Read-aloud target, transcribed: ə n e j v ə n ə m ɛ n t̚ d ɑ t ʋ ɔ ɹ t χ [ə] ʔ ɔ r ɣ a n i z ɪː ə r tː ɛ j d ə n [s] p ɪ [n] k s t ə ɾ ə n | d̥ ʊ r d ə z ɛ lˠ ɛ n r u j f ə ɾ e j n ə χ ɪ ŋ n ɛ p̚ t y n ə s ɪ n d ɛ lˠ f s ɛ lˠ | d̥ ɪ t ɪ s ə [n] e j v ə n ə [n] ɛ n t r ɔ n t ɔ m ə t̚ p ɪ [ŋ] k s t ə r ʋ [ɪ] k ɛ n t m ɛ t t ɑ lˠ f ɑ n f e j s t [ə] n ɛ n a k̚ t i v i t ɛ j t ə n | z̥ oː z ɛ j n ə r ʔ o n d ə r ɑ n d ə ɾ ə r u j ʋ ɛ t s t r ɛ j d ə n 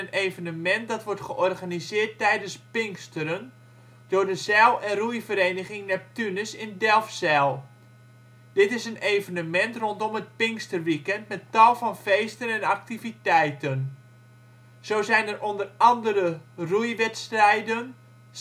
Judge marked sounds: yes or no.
yes, yes, no, yes, no, yes, no, yes

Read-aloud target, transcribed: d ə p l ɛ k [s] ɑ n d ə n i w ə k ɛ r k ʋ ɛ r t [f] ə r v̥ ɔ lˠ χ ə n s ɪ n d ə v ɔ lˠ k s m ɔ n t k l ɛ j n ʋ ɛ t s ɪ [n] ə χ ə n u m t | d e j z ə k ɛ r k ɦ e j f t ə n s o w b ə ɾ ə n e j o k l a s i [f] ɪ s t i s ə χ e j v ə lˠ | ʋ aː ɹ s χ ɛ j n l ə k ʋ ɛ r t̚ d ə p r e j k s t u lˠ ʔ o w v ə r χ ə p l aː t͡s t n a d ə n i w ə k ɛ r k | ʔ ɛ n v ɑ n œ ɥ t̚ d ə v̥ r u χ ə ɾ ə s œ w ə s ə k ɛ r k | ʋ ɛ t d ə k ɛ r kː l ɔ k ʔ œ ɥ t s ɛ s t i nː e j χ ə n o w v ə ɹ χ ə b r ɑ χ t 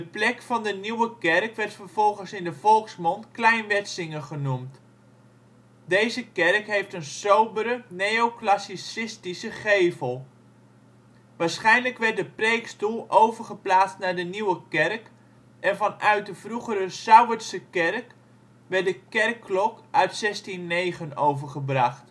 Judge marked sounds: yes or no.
no, yes, no, no

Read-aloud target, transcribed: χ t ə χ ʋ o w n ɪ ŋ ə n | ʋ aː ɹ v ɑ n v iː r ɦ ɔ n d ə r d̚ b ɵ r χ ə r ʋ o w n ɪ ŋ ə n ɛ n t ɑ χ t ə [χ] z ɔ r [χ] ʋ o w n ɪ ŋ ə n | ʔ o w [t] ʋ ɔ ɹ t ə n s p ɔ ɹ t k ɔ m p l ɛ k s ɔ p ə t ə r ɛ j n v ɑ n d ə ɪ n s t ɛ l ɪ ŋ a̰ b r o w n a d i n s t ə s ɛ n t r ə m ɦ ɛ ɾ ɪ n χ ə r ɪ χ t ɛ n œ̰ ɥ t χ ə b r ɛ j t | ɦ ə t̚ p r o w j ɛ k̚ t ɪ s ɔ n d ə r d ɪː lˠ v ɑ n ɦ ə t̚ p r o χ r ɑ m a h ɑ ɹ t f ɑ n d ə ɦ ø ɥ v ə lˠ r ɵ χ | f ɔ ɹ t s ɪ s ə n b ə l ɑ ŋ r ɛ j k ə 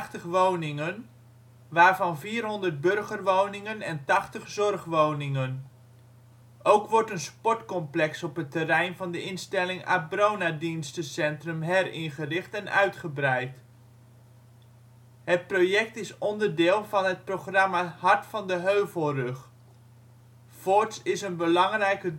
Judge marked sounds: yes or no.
yes, yes, no

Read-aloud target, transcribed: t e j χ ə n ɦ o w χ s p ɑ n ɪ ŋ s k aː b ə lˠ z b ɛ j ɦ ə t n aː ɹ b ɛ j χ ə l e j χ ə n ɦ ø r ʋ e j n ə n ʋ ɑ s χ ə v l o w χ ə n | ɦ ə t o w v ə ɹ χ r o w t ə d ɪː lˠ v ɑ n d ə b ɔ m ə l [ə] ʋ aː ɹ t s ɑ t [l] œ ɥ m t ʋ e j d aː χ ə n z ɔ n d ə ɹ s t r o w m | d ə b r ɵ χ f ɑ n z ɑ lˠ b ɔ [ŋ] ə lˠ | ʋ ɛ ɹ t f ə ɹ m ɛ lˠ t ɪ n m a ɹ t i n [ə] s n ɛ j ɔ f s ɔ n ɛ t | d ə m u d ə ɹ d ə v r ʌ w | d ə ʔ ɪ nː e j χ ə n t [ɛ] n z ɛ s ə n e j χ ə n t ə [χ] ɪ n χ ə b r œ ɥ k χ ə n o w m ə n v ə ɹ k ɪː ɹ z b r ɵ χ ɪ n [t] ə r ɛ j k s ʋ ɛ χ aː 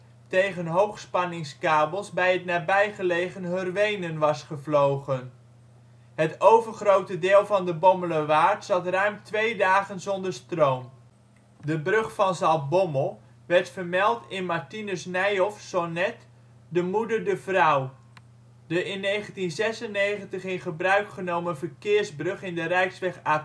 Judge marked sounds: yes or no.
yes, no, no, yes, no, yes, no

